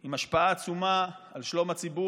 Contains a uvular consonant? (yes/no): no